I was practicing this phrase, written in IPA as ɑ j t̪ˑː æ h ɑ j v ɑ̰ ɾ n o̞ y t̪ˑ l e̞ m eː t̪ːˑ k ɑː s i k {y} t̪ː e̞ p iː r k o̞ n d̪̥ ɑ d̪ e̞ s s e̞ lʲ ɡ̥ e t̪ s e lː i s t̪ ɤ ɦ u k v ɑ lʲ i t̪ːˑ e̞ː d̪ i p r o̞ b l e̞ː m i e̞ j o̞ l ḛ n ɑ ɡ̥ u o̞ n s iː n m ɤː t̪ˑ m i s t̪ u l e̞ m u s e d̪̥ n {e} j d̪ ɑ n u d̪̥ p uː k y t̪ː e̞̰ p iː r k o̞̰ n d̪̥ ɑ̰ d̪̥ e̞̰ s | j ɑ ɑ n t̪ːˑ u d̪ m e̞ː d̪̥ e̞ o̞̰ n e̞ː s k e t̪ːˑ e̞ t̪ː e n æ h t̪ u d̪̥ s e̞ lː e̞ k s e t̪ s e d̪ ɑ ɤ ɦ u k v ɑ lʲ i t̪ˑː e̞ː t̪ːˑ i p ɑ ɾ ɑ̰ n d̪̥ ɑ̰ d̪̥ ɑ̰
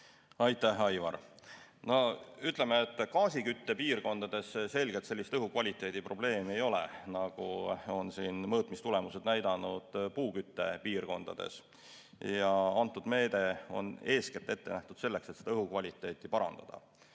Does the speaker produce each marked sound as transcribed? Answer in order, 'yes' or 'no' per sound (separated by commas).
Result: yes, no